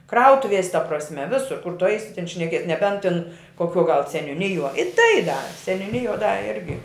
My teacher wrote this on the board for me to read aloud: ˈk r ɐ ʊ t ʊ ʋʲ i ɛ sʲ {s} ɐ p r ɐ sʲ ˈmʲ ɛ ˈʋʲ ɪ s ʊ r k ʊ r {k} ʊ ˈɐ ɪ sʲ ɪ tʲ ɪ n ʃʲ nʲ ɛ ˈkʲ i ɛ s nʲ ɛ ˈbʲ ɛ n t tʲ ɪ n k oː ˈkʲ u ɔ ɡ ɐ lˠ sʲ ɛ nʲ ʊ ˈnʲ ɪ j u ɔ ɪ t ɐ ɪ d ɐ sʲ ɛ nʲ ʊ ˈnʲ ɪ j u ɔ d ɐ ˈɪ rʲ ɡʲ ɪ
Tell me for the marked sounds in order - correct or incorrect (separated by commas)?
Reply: incorrect, incorrect